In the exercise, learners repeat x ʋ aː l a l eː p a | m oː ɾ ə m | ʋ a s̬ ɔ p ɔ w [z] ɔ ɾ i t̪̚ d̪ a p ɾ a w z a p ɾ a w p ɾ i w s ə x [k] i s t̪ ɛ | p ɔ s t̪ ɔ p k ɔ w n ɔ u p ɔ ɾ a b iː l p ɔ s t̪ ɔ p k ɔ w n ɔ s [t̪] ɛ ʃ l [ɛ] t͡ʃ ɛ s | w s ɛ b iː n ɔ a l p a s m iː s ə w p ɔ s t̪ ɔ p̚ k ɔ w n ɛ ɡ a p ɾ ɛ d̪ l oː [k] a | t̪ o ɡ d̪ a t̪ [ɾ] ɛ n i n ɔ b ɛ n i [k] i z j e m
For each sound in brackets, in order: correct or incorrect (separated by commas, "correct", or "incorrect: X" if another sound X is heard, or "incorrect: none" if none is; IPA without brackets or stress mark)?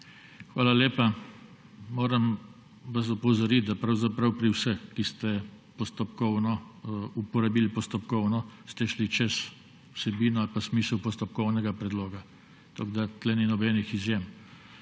correct, correct, correct, incorrect: i, incorrect: ɡ, incorrect: l, incorrect: x